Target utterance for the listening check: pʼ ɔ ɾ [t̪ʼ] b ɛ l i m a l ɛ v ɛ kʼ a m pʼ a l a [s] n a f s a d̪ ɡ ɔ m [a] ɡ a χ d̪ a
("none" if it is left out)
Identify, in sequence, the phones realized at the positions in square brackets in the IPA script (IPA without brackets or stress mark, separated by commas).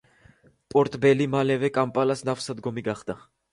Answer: t̪ʼ, s, i